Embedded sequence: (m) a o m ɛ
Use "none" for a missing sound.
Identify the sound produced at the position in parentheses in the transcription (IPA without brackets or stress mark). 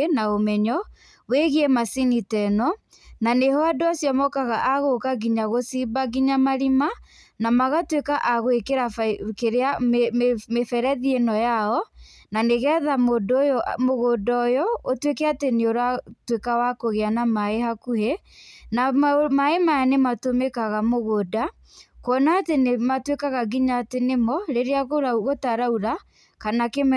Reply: n